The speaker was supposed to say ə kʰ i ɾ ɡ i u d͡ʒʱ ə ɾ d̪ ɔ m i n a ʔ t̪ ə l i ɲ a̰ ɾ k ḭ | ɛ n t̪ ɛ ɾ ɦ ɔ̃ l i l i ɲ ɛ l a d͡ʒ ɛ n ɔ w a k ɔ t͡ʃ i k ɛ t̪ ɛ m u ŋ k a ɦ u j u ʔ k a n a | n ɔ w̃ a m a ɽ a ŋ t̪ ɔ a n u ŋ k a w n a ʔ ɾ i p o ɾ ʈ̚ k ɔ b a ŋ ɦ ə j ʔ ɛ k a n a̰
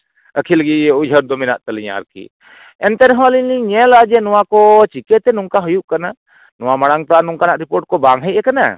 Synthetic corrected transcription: ə kʰ i l ɡ i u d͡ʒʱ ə ɾ d̪ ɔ m i n a ʔ t̪ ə l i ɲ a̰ ɾ k ḭ | ɛ n t̪ ɛ ɾ ɦ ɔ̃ l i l i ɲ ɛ l a d͡ʒ ɛ n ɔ w a k ɔ t͡ʃ i k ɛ t̪ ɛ n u ŋ k a ɦ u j u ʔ k a n a | n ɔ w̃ a m a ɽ a ŋ t̪ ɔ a n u ŋ k a n a ʔ ɾ i p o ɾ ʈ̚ k ɔ b a ŋ ɦ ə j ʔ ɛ k a n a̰